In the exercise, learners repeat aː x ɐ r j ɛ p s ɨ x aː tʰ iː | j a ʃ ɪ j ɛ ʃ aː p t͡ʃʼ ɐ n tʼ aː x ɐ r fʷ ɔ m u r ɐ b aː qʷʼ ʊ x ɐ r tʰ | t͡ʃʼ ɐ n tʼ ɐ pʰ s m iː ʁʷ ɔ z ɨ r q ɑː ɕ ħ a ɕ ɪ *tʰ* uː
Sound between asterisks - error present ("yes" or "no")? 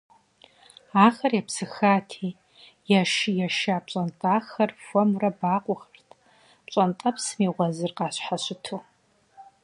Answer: no